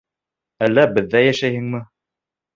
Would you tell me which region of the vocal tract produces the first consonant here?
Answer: tongue tip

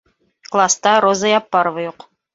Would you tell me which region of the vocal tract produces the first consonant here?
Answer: velum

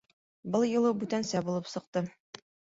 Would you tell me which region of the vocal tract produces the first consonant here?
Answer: lips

